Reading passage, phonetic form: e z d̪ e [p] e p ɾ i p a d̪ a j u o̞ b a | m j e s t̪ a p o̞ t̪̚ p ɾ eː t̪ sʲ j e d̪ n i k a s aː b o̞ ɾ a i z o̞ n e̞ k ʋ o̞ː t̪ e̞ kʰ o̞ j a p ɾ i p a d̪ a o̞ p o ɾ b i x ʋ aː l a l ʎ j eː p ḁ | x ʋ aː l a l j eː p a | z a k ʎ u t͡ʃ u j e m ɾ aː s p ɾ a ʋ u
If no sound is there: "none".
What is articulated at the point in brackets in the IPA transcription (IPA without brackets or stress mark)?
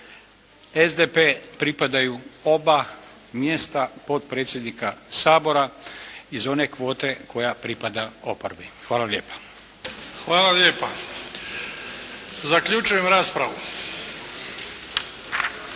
p